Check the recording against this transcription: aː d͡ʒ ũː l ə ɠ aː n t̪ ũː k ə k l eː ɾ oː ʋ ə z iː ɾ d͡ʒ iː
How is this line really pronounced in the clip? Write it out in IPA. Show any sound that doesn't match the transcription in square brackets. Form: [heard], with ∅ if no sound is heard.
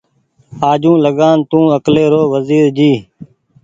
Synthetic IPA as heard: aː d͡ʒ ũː l ə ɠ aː n t̪ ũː [∅] ə k l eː ɾ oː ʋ ə z iː ɾ d͡ʒ iː